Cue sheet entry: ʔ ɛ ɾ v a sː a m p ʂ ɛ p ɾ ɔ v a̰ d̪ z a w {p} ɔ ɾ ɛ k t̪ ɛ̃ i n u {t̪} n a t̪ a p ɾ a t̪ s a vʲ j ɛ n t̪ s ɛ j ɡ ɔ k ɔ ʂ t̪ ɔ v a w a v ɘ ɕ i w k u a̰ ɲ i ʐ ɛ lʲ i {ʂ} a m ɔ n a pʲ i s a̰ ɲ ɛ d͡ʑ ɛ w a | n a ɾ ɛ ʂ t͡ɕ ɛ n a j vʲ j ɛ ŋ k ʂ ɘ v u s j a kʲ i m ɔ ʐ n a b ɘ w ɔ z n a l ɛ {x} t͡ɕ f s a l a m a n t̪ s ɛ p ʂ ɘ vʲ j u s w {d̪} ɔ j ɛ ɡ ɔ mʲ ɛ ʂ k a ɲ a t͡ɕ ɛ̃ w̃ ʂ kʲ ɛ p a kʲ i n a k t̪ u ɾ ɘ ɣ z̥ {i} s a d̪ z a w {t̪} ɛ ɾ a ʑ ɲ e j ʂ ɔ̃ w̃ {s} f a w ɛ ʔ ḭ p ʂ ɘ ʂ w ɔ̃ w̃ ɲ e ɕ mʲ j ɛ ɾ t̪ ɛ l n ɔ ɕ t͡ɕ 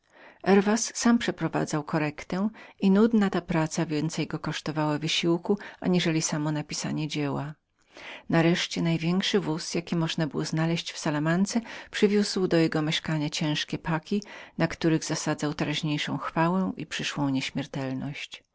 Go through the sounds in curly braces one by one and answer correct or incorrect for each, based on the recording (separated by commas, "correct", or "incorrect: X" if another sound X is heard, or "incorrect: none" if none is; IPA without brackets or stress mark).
incorrect: k, incorrect: d̪, incorrect: s, incorrect: ɕ, correct, incorrect: a, correct, incorrect: x